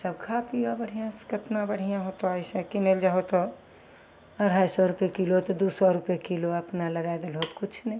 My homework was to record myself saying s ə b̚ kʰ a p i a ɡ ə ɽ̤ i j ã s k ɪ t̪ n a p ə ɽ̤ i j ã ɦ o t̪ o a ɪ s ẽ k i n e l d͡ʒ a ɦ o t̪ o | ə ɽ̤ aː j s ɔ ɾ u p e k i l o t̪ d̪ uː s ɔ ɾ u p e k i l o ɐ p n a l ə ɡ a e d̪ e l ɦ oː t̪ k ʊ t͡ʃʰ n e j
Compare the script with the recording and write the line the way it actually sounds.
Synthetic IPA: s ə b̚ kʰ a p i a b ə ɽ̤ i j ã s k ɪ t̪ n a b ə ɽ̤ i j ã ɦ o t̪ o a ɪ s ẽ k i n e l d͡ʒ a ɦ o t̪ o | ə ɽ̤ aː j s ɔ ɾ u p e k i l o t̪ d̪ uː s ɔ ɾ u p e k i l o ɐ p n a l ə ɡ a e d̪ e l ɦ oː t̪ k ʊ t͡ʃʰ n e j